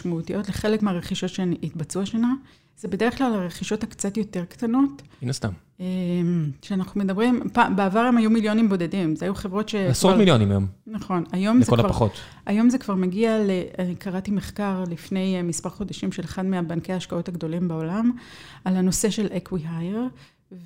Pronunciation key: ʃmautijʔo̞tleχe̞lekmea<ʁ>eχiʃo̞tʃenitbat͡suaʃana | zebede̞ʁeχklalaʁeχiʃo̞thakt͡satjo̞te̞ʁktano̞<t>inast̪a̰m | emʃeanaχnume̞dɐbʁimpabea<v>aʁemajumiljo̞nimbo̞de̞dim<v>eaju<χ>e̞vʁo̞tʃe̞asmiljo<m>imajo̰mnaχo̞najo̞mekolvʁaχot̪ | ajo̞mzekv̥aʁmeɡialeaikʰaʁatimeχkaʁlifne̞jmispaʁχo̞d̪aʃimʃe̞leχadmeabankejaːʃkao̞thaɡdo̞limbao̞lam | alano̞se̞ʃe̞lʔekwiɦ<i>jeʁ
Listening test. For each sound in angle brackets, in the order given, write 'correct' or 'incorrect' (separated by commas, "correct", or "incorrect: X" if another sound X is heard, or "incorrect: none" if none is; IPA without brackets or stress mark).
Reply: correct, correct, correct, incorrect: z, correct, incorrect: n, incorrect: a